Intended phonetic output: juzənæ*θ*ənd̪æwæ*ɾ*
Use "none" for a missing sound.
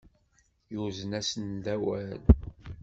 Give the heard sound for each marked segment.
s, l

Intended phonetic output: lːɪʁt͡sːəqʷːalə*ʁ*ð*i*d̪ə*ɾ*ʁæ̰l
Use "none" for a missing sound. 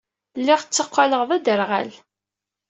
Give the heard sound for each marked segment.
ʁ, æ, ɾ

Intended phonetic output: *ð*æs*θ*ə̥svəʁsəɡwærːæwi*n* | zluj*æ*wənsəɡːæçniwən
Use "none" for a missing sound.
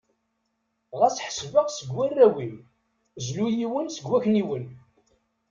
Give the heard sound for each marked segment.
ʁ, ħ, m, i

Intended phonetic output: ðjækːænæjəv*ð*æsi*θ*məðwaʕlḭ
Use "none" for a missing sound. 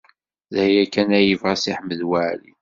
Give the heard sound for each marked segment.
ʁ, ħ

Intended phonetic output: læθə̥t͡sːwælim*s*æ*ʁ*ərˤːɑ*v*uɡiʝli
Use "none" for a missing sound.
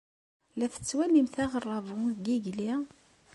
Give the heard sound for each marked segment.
θ, ʁ, v

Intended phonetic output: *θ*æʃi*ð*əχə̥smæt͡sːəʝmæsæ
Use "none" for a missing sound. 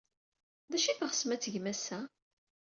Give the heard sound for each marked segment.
ð, θ

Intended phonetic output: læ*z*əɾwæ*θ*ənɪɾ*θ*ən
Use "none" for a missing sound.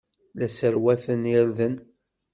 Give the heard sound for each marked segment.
s, θ, ð

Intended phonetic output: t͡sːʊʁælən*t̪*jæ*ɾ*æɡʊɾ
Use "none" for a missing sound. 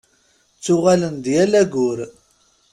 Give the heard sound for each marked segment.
d̪, l

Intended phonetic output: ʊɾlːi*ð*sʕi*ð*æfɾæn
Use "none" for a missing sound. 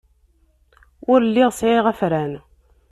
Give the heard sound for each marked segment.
ʁ, ʁ

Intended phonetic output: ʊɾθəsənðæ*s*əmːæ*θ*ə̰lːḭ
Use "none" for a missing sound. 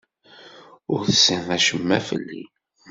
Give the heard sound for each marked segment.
ʃ, f

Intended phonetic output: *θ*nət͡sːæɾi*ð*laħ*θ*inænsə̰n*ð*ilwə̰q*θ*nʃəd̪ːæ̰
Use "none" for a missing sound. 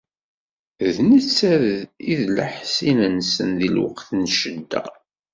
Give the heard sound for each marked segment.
ð, ð, s, ð, θ

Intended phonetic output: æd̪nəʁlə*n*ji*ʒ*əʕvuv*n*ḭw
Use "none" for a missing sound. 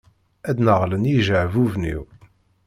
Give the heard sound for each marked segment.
n, ʒ, n

